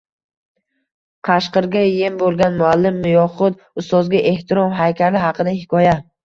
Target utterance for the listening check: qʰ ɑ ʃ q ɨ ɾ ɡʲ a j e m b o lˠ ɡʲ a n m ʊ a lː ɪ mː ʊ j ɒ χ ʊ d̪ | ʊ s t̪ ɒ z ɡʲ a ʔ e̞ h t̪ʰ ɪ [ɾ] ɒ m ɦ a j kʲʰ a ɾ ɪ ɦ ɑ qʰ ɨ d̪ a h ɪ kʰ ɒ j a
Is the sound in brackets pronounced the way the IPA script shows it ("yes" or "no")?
yes